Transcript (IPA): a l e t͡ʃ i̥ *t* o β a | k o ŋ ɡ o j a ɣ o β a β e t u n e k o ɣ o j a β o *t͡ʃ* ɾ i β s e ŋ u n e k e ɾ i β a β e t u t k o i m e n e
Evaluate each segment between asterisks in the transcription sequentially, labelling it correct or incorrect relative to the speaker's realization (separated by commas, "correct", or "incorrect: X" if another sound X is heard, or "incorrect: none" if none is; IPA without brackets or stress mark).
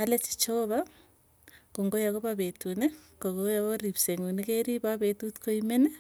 incorrect: t͡ʃ, incorrect: none